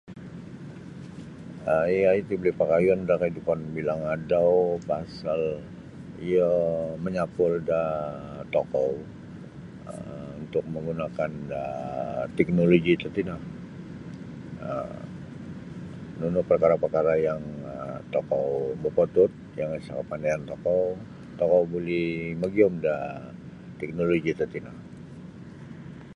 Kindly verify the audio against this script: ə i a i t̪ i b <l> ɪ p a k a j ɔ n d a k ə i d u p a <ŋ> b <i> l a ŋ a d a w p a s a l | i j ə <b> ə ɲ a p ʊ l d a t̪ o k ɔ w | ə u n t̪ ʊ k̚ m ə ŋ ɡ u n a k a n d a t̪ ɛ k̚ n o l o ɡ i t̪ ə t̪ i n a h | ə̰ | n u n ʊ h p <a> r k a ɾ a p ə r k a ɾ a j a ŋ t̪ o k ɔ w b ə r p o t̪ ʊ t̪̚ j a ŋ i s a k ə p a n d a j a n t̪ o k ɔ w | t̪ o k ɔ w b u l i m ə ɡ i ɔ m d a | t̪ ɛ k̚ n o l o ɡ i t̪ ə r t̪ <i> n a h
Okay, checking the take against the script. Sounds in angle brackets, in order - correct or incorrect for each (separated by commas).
correct, incorrect, correct, incorrect, incorrect, correct